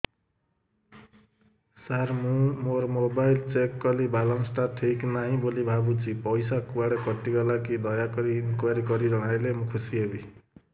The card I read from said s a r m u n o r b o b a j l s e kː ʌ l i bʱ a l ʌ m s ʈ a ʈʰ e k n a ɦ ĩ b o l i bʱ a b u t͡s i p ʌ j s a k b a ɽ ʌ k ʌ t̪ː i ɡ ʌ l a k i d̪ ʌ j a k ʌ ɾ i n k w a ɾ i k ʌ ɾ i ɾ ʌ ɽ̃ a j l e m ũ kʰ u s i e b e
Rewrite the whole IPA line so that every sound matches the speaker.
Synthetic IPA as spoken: s a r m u m o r m o b a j l t͡s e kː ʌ l i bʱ a l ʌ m s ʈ a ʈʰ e k n a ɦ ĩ b o l i bʱ a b u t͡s i p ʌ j s a k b a ɽ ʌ k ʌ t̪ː i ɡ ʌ l a k i d̪ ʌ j a k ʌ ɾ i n k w a ɾ i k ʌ ɾ i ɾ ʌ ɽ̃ a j l e m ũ kʰ u s i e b i

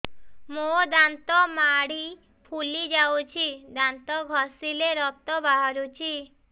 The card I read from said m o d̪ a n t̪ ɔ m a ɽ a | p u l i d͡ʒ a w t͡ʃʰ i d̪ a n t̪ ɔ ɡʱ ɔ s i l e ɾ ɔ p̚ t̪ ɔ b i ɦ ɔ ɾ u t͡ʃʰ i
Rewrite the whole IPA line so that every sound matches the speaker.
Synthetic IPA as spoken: m o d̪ a n t̪ ɔ m a ɽ i | pʰ u l i d͡ʒ a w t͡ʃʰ i d̪ a n t̪ ɔ ɡʱ ɔ s i l e ɾ ɔ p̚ t̪ ɔ b a ɦ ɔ ɾ u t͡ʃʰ i

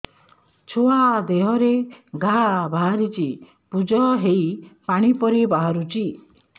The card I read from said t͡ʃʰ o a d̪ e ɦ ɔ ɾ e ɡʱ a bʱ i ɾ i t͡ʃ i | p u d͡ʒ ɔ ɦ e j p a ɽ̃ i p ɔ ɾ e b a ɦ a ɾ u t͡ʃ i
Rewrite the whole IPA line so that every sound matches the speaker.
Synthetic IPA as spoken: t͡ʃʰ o a d̪ e ɦ ɔ ɾ e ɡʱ a bʱ a ɾ i t͡ʃ i | p u d͡ʒ ɔ ɦ e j p a ɽ̃ i p ɔ ɾ i b a ɦ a ɾ u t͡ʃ i

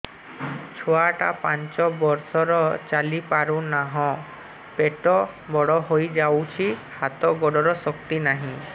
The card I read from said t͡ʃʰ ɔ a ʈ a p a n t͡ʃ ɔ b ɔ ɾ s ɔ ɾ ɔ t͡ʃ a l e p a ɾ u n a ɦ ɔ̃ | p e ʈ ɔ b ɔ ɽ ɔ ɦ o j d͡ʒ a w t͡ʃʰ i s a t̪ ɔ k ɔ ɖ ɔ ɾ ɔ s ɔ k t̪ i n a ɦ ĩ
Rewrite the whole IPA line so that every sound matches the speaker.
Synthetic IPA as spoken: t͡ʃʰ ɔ a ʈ a p a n t͡ʃ ɔ b ɔ ɾ s ɔ ɾ ɔ t͡ʃ a l i p a ɾ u n a ɦ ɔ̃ | p e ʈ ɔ b ɔ ɽ ɔ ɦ o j d͡ʒ a w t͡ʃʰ i h a t̪ ɔ ɡ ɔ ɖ ɔ ɾ ɔ s ɔ k t̪ i n a ɦ ĩ

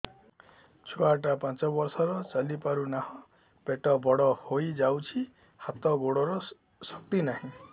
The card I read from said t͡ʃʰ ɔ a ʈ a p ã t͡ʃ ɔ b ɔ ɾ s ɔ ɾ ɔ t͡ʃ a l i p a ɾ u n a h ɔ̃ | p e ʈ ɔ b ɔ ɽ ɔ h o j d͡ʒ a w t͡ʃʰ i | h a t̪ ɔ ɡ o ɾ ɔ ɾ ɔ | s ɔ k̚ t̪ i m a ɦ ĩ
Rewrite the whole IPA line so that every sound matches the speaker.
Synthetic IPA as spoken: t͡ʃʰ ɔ a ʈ a p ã t͡ʃ ɔ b ɔ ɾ s ɔ ɾ ɔ t͡ʃ a l i p a ɾ u n a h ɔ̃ | p e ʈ ɔ b ɔ ɽ ɔ h o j d͡ʒ a w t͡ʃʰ i | h a t̪ ɔ ɡ o ɽ ɔ ɾ ɔ | s ɔ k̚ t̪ i n a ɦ ĩ

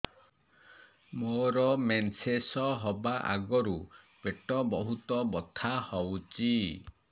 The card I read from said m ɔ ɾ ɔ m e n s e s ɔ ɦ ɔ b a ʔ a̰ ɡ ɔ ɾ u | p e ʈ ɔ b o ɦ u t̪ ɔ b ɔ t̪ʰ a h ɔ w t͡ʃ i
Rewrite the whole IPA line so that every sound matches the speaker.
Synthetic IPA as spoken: m o ɾ ɔ m e n s e s ɔ ɦ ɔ b a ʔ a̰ ɡ ɔ ɾ u | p e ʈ ɔ b ɔ ɦ u t̪ ɔ b ɔ t̪ʰ a h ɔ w t͡ʃ i

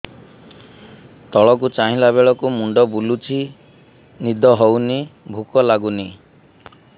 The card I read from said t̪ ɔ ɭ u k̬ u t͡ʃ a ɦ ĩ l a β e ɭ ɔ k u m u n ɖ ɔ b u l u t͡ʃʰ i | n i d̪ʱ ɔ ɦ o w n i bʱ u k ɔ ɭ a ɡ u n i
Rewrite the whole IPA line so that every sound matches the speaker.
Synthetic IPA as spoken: t̪ ɔ ɭ ɔ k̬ u t͡ʃ a ɦ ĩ l a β e ɭ ɔ k u m u ɳ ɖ ɔ b u l u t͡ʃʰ i | n i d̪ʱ ɔ ɦ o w n i bʱ u k ɔ l a ɡ u n i

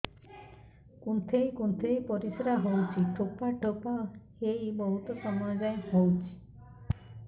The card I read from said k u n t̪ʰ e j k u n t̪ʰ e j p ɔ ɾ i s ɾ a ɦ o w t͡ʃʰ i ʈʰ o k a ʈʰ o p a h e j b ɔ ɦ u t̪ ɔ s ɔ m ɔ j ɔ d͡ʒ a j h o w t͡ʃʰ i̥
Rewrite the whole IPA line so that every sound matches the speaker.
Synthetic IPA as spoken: k u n t̪ʰ e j k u n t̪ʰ e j p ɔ ɾ i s ɾ a ɦ o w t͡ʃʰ i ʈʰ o p a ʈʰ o p a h e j b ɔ ɦ u t̪ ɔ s ɔ m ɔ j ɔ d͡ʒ a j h o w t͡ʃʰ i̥

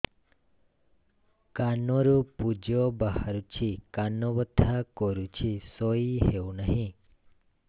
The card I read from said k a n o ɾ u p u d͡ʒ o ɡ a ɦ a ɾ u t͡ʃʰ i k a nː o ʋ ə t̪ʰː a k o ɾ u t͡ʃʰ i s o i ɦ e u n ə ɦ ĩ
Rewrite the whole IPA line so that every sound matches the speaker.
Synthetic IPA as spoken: k a n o ɾ u p u d͡ʒ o b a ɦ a ɾ u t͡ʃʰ i k a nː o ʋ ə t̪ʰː a k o ɾ u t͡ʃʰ i s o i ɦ e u n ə ɦ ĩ

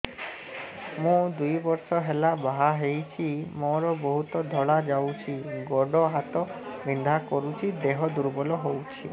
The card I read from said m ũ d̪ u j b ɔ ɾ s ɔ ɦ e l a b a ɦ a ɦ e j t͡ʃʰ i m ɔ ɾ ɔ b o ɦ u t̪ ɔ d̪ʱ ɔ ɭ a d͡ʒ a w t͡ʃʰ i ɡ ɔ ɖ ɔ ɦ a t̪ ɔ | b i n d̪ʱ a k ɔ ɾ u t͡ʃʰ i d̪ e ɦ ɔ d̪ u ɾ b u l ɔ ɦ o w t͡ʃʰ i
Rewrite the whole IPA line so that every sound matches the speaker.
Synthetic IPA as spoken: m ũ d̪ u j b ɔ ɾ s ɔ ɦ e l a b a ɦ a ɦ e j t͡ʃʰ i m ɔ ɾ ɔ b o ɦ u t̪ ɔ d̪ʱ ɔ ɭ a d͡ʒ a w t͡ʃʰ i ɡ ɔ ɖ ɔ ɦ a t̪ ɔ | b i n d̪ʱ a k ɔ ɾ u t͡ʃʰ i d̪ e ɦ ɔ d̪ u ɾ b ɔ l ɔ ɦ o w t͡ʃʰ i

